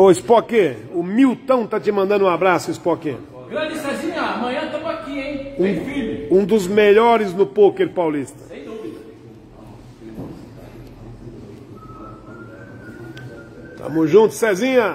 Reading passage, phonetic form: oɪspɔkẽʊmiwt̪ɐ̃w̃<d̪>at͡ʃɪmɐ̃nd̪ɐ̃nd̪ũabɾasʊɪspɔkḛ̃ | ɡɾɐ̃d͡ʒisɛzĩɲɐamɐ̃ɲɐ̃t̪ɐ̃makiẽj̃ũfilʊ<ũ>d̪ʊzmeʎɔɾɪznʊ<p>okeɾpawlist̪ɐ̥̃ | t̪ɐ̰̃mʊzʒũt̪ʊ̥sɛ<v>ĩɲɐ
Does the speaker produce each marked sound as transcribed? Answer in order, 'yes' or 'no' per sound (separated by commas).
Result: no, yes, yes, no